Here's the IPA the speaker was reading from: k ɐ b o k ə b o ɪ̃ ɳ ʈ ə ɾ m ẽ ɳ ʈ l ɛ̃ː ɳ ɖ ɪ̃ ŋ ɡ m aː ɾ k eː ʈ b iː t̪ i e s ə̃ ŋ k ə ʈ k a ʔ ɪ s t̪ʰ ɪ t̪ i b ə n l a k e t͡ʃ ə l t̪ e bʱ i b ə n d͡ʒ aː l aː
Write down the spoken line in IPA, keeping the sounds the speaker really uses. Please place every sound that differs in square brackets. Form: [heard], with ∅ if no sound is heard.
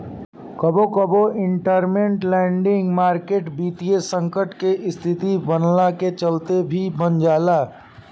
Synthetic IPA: k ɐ b o k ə b o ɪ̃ ɳ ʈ ə ɾ m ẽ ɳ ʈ l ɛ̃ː ɳ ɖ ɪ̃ ŋ ɡ m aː ɾ k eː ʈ b iː t̪ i e s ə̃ ŋ k ə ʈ k [e] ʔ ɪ s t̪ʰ ɪ t̪ i b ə n l a k e t͡ʃ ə l t̪ e bʱ i b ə n d͡ʒ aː l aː